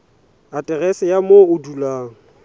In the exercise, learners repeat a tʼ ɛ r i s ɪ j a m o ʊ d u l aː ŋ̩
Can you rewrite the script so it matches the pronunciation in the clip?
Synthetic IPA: a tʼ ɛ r ɛ s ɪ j a m o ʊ d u l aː ŋ̩